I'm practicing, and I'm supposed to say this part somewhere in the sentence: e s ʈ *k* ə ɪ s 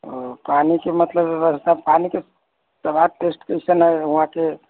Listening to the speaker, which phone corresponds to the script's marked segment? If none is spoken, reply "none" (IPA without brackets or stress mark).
k